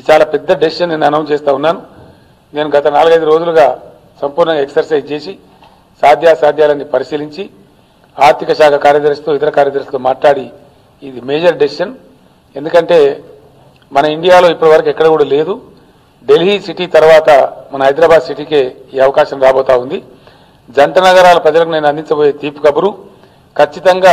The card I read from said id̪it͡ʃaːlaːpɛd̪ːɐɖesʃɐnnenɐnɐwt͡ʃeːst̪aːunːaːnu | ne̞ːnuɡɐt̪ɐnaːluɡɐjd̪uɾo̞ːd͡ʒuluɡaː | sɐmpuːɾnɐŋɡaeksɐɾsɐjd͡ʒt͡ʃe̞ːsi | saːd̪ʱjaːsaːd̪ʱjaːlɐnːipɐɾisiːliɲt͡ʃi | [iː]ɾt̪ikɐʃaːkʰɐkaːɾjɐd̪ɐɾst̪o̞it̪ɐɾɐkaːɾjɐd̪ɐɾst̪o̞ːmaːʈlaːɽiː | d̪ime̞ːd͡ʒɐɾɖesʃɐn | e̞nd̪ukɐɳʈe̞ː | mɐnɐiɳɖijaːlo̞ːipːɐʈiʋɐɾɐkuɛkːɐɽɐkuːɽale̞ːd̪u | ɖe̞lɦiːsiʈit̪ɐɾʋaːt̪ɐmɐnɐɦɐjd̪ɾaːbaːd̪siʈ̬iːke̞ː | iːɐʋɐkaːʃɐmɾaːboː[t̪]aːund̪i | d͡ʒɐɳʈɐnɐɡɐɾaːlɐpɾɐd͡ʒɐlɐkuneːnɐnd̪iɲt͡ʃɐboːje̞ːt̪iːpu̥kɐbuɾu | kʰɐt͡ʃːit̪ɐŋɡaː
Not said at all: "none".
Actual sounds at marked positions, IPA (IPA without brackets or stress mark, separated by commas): aː, t̪